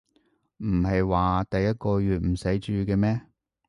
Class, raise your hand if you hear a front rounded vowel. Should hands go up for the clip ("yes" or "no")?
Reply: yes